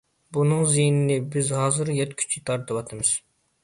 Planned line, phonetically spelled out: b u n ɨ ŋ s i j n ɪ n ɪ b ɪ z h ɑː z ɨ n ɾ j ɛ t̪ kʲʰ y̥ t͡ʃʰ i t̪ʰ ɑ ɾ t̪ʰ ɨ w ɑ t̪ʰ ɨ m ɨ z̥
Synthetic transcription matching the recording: b u n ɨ ŋ z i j n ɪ n ɪ b ɪ z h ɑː z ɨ ɾ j ɛ t̪ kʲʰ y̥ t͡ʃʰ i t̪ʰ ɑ ɾ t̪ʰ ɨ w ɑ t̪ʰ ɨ m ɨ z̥